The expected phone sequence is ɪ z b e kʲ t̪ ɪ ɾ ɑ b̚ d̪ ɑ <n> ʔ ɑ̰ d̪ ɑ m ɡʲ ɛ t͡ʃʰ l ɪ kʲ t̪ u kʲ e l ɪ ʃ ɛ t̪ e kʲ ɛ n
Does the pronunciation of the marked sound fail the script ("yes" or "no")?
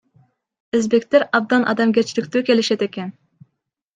no